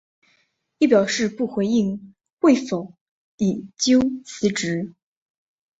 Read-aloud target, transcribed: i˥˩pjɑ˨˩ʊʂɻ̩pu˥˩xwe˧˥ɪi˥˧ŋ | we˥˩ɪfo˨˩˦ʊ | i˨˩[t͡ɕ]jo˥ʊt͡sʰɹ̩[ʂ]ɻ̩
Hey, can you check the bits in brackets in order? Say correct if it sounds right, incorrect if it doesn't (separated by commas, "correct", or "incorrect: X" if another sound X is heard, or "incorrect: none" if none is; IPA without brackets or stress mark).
correct, incorrect: ʈ͡ʂ